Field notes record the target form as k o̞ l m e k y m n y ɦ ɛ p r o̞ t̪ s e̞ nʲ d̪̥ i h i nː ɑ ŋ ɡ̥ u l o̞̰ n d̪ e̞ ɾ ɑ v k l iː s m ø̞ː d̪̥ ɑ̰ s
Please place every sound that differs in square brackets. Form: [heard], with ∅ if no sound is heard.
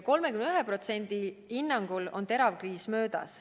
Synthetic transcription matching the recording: k o̞ l m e k y m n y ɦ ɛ p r o̞ t̪ s e̞ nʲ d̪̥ i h i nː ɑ ŋ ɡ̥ u l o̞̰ n [t̪] e̞ ɾ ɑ v k [r] iː s m ø̞ː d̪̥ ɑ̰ s